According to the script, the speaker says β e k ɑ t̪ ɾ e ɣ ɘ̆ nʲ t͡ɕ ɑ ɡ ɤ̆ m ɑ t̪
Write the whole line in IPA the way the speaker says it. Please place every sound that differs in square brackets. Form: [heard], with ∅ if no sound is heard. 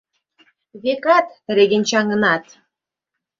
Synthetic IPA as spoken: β e k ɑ t̪ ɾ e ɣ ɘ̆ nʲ t͡ɕ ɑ [ŋ] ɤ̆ [n] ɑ t̪